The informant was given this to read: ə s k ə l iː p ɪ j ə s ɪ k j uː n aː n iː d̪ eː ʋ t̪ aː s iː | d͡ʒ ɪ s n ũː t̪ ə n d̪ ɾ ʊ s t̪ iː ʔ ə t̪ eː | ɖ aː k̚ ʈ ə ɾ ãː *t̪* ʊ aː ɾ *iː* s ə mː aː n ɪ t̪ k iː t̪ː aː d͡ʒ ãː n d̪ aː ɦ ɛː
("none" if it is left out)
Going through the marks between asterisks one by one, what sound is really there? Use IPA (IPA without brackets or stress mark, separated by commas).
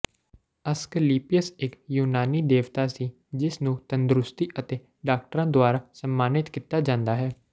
d̪, aː